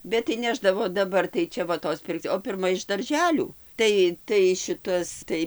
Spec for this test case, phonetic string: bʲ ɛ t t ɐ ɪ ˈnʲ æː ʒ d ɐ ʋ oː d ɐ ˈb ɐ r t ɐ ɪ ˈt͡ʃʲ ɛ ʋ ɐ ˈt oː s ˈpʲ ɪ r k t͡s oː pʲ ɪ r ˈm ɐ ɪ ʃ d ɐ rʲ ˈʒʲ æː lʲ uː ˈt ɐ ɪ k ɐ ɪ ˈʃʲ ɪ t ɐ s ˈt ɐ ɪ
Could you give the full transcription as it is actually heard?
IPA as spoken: bʲ ɛ t t ɐ ɪ ˈnʲ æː ʒ d ɐ ʋ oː d ɐ ˈb ɐ r t ɐ ɪ ˈt͡ʃʲ ɛ ʋ ɐ ˈt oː s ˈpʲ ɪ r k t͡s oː pʲ ɪ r ˈm ɐ ɪ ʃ d ɐ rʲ ˈʒʲ æː lʲ uː ˈt ɐ ɪ t ɐ ɪ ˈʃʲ ɪ t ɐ s ˈt ɐ ɪ